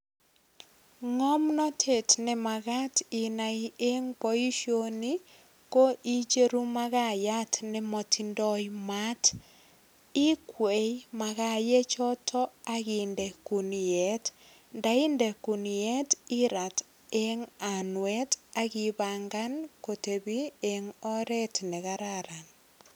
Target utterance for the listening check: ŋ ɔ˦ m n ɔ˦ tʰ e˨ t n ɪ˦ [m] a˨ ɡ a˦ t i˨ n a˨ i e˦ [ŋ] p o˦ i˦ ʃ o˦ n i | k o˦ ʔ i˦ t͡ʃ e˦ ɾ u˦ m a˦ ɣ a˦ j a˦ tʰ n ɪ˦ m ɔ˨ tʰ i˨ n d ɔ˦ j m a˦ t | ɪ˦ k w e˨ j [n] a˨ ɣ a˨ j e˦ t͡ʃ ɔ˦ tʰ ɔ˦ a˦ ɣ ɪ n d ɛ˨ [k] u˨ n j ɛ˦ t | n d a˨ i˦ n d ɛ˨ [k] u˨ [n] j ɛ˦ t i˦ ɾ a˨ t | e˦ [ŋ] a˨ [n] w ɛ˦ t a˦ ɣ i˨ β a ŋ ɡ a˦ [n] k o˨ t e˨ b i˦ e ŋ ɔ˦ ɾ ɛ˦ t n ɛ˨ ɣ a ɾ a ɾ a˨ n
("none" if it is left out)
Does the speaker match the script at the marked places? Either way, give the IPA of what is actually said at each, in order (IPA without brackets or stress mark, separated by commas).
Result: m, ŋ, m, k, k, n, ŋ, n, n